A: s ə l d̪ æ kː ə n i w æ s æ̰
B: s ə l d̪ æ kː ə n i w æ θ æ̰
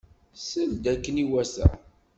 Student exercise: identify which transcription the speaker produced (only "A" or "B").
A